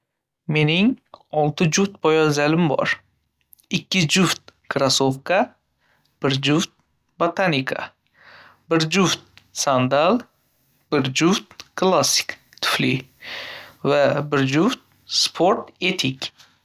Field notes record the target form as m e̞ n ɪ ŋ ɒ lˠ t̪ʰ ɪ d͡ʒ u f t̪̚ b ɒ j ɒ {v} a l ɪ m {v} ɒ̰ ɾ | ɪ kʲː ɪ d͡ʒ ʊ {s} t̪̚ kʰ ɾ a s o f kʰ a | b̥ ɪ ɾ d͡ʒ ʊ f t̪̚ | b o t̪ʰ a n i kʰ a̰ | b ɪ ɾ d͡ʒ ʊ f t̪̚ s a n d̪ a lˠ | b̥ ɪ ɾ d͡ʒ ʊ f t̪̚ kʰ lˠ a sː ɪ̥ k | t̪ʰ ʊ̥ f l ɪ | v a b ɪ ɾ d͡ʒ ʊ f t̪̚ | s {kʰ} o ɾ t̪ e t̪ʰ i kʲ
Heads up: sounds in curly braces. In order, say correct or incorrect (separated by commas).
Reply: incorrect, incorrect, incorrect, incorrect